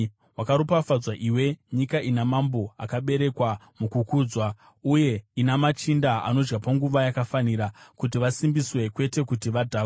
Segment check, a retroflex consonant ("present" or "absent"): absent